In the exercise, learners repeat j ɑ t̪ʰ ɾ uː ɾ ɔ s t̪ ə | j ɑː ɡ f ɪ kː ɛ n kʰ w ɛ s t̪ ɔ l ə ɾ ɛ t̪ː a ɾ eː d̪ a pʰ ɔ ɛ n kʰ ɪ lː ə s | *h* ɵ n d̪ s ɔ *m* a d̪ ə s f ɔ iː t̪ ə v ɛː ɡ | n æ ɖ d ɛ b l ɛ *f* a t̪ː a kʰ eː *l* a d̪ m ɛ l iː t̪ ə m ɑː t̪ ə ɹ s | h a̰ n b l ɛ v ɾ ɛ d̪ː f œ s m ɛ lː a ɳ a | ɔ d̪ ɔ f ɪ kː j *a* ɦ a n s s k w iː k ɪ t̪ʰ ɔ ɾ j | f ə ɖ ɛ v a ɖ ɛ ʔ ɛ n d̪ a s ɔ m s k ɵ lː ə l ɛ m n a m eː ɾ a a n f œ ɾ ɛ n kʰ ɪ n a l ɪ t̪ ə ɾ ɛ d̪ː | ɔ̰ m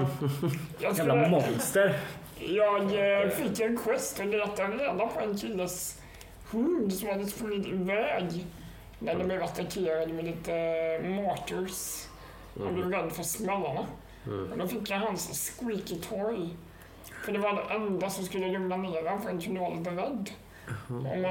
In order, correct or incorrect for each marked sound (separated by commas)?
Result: correct, correct, incorrect, incorrect, correct